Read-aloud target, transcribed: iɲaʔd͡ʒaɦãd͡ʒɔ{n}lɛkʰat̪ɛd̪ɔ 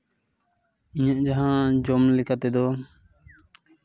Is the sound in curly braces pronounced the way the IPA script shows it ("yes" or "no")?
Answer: no